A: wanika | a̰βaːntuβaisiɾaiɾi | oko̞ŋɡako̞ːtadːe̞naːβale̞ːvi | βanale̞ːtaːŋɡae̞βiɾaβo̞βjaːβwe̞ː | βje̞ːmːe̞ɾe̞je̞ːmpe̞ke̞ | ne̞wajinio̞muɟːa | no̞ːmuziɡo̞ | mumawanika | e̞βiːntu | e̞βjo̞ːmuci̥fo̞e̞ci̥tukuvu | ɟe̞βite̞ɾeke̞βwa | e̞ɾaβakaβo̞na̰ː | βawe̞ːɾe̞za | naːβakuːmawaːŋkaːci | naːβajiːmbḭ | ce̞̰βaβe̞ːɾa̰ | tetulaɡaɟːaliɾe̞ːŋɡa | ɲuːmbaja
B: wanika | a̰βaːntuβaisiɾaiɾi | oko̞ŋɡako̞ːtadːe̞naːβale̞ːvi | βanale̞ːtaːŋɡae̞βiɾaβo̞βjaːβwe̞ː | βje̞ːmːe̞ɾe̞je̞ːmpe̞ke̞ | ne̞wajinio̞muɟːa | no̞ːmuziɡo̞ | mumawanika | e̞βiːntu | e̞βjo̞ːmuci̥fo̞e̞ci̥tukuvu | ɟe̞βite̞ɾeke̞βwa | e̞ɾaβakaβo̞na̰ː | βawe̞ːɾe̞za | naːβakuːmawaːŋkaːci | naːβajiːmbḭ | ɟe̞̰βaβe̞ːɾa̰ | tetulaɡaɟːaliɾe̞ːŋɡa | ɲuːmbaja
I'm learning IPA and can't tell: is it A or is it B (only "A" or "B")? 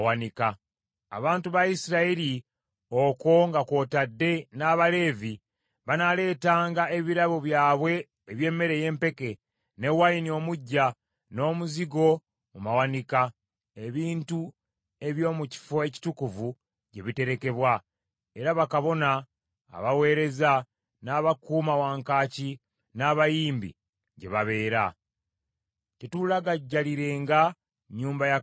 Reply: B